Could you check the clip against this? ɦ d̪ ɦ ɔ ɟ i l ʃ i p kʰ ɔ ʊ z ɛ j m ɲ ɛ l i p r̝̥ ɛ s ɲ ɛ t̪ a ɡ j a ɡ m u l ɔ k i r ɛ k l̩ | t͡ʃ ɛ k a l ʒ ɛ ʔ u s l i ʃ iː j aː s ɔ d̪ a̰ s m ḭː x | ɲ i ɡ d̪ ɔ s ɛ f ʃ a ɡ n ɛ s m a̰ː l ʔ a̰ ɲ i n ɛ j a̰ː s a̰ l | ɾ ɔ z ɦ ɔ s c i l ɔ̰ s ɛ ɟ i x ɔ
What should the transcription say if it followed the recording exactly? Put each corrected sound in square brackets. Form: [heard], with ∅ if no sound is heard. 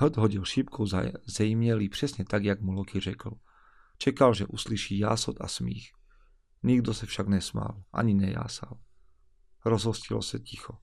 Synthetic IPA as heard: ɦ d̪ ɦ ɔ ɟ i l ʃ i p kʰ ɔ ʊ z ɛ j m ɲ ɛ l i p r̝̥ ɛ s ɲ ɛ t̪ a ɡ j a ɡ m u l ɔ k i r ɛ k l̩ | t͡ʃ ɛ k a l ʒ ɛ ʔ u s l i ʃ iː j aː s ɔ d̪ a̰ s m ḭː x | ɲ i ɡ d̪ ɔ s ɛ f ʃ a ɡ n ɛ s m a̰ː l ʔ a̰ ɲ i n ɛ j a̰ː s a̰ l | ɾ ɔ z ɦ ɔ s c i l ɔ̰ s ɛ [c] i x ɔ